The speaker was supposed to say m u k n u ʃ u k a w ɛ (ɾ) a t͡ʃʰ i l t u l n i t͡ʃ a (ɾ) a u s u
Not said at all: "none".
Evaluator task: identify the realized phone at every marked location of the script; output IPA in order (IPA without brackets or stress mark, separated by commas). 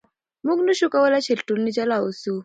l, l